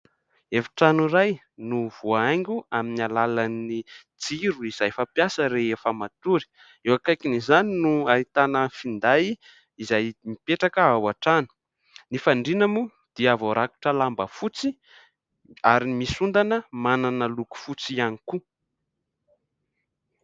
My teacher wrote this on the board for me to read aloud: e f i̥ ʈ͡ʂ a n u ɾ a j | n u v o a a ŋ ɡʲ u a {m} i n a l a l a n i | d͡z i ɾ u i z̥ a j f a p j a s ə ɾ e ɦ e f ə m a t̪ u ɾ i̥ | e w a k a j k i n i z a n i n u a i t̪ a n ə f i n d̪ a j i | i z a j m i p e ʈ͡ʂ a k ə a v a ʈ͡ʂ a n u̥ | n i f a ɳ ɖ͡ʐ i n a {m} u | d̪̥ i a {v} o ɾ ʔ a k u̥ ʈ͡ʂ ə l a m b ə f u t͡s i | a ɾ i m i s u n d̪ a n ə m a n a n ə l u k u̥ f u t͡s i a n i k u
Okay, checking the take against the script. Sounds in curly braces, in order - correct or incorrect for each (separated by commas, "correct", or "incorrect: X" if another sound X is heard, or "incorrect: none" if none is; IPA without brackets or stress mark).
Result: correct, correct, correct